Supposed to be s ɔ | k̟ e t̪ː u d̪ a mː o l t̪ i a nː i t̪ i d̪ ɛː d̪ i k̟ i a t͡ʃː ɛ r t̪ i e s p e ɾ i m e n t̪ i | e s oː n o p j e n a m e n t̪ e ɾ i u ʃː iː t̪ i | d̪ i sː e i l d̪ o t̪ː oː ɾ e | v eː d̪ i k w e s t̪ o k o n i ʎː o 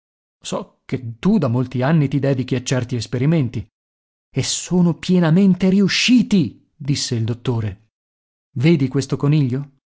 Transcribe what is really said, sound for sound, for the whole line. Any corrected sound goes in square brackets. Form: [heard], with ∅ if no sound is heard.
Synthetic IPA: s ɔ | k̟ e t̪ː u d̪ a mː o l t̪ i a nː i t̪ i d̪ ɛː d̪ i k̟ i a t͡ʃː ɛ r t̪ i e s p e ɾ i m e n t̪ i | e s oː n o p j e n a m e n t̪ e ɾ i u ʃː iː t̪ i | d̪ i sː e i l d̪ o t̪ː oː ɾ e | v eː d̪ i k w e s t̪ o k o n i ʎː o